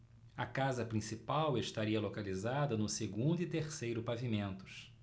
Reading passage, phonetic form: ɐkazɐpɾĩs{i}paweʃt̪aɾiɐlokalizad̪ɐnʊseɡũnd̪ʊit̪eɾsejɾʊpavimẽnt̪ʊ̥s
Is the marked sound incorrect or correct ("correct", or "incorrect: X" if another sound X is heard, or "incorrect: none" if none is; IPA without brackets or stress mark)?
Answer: correct